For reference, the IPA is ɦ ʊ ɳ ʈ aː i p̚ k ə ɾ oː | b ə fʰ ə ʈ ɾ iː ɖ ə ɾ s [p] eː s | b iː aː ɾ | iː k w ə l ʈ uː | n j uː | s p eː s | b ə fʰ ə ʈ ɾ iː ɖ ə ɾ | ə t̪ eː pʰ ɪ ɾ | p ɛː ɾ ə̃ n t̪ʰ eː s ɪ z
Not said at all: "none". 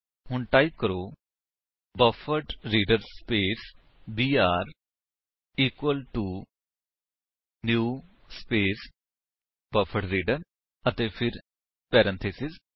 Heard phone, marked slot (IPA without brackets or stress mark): p